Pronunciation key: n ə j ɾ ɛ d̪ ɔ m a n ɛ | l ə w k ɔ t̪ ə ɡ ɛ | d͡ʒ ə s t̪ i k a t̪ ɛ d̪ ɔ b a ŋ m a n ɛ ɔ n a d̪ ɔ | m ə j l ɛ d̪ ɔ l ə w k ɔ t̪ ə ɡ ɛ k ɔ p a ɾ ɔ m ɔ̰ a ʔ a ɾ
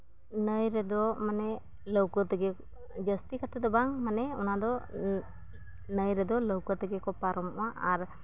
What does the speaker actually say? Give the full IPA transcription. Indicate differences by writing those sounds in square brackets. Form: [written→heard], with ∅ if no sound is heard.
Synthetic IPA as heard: n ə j ɾ ɛ d̪ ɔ m a n ɛ | l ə w k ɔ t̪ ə ɡ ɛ | d͡ʒ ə s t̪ i k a t̪ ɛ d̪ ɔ b a ŋ m a n ɛ ɔ n a d̪ ɔ | [m→n] ə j [l→ɾ] ɛ d̪ ɔ l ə w k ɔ t̪ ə ɡ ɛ k ɔ p a ɾ ɔ m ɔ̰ a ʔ a ɾ